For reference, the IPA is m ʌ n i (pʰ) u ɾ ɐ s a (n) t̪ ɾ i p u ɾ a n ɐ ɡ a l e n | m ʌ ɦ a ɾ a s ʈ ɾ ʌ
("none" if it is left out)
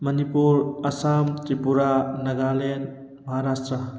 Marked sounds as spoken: p, m

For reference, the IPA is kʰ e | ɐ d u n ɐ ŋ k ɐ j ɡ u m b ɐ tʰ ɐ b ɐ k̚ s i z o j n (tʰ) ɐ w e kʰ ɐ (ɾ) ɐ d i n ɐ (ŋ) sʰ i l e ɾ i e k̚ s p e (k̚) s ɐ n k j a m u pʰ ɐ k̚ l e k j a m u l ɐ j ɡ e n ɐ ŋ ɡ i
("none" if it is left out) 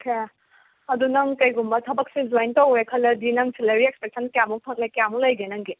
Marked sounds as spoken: t, l, ŋ, k̚

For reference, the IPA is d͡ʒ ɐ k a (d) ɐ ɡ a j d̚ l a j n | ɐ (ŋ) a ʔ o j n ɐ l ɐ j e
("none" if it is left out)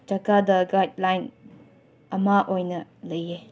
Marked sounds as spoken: d, m

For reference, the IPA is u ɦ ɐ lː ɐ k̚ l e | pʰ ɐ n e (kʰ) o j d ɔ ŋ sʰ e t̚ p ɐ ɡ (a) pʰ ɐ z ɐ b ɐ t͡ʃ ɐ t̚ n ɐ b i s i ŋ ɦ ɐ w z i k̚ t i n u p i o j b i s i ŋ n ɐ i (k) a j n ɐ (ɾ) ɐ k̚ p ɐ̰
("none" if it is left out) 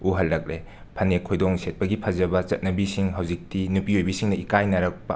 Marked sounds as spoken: kʰ, i, k, ɾ

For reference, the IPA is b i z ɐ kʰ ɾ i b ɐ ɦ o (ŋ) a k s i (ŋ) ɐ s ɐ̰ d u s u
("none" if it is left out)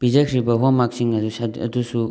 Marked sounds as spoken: m, ŋ

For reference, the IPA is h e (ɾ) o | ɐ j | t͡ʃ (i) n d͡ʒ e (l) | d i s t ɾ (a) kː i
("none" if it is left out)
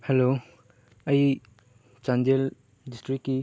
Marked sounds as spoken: l, a, l, i

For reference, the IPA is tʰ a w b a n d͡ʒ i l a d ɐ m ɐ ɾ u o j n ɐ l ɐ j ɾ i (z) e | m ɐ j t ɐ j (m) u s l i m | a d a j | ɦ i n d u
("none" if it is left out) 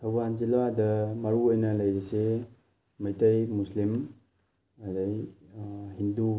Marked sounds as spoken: s, m

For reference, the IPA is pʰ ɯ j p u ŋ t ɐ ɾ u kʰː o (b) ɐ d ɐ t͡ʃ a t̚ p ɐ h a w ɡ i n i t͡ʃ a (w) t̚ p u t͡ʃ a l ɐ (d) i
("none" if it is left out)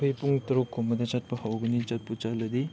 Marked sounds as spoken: m, none, d

